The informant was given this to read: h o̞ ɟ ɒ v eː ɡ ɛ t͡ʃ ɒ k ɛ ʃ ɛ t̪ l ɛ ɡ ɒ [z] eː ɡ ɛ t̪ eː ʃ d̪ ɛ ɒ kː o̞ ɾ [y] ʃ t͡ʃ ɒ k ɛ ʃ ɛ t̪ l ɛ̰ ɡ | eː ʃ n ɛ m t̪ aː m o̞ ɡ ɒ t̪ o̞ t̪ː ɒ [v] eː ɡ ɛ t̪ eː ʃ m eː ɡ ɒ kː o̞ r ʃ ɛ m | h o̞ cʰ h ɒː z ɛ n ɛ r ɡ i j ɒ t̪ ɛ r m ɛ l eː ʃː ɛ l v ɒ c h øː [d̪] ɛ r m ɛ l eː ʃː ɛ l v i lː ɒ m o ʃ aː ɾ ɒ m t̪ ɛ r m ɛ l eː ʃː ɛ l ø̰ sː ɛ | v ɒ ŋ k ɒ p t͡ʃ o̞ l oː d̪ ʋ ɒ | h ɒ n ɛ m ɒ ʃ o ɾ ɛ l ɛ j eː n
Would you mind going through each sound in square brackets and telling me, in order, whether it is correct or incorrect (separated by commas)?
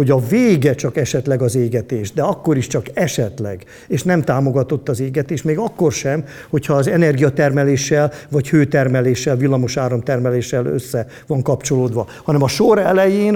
correct, incorrect, incorrect, incorrect